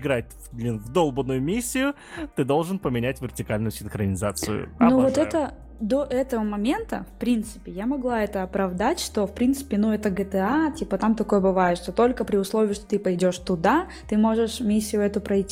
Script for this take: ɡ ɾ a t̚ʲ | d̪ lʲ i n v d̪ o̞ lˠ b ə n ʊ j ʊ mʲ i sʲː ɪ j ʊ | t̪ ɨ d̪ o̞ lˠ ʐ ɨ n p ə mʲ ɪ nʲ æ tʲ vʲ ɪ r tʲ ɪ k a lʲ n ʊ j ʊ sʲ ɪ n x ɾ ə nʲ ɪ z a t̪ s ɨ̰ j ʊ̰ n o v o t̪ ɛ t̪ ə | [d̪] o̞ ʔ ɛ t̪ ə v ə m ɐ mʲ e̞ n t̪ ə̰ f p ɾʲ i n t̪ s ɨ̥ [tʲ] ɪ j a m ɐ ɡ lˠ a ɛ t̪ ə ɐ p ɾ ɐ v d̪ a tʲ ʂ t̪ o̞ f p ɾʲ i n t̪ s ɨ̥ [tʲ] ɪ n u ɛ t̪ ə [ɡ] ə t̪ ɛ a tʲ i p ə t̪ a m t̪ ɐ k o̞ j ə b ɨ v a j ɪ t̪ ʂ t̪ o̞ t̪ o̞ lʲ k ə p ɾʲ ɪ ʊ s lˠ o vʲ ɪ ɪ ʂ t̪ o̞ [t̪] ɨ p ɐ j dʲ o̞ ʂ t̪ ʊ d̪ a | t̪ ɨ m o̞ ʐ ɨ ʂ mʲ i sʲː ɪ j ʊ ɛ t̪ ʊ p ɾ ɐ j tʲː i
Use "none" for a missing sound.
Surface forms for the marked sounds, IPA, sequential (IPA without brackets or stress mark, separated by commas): d̪, pʲ, pʲ, ɡ, t̪